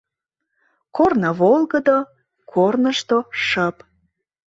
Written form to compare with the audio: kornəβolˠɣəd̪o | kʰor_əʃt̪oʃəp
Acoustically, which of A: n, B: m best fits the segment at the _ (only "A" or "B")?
A